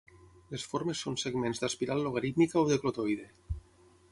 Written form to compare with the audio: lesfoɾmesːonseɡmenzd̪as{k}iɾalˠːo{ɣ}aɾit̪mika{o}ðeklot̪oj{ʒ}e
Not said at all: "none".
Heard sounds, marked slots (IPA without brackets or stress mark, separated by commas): p, ɣ, o, ð